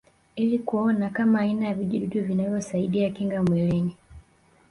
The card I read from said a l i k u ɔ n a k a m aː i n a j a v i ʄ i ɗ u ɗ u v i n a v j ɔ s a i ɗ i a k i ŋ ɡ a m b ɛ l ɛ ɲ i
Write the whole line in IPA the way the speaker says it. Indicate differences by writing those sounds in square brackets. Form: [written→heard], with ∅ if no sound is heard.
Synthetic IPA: [a→i] l i k u ɔ n a k a m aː i n a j a v i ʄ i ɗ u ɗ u v i n a v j ɔ s a i ɗ i a k i ŋ ɡ a m [b→w] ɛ l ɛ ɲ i